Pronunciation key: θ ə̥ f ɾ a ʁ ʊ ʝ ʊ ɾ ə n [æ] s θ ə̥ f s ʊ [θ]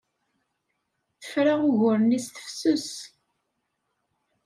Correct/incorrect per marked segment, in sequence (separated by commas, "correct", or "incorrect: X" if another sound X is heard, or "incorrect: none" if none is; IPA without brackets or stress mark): incorrect: i, incorrect: s